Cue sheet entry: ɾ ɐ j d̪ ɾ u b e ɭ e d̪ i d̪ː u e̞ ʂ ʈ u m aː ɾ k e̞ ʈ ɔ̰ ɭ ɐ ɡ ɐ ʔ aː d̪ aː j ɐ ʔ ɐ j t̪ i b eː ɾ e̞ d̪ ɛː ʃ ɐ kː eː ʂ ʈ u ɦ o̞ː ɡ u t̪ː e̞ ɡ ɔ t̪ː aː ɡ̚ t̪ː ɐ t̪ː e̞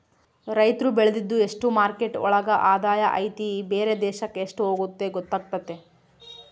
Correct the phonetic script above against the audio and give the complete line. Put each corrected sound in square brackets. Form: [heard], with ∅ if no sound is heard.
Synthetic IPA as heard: ɾ ɐ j [t̪] ɾ u b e ɭ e d̪ i d̪ː u e̞ ʂ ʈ u m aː ɾ k e̞ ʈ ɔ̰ ɭ ɐ ɡ ɐ ʔ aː d̪ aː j ɐ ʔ ɐ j t̪ i b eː ɾ e̞ d̪ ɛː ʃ ɐ kː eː ʂ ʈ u ɦ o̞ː ɡ u t̪ː e̞ ɡ ɔ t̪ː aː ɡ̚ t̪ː ɐ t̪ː e̞

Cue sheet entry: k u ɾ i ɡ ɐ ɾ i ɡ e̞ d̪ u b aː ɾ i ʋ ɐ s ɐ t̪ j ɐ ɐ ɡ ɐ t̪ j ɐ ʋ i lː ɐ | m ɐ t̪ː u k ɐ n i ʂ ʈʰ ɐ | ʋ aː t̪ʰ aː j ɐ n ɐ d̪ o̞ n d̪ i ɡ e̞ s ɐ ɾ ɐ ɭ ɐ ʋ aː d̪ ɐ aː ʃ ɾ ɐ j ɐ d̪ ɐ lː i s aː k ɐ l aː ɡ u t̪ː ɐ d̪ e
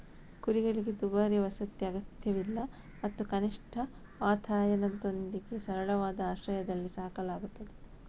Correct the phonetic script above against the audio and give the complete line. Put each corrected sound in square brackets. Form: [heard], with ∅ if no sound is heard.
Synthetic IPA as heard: k u ɾ i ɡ ɐ [ɭ] i ɡ e̞ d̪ u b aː ɾ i ʋ ɐ s ɐ t̪ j ɐ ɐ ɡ ɐ t̪ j ɐ ʋ i lː ɐ | m ɐ t̪ː u k ɐ n i ʂ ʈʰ ɐ | ʋ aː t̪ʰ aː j ɐ n ɐ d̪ o̞ n d̪ i ɡ e̞ s ɐ ɾ ɐ ɭ ɐ ʋ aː d̪ ɐ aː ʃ ɾ ɐ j ɐ d̪ ɐ lː i s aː k ɐ l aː ɡ u t̪ː ɐ d̪ e

